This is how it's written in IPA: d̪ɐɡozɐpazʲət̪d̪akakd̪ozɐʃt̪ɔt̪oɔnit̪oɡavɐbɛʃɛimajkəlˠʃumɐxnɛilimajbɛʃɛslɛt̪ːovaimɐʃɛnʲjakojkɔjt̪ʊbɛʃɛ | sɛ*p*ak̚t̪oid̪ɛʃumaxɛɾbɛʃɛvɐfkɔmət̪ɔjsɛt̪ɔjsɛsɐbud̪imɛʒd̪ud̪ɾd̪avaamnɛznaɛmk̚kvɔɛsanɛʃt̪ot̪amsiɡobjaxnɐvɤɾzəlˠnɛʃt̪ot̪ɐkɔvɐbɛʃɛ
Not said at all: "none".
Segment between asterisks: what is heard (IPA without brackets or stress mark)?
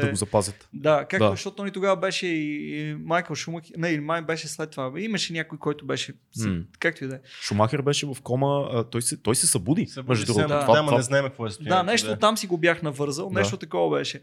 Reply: k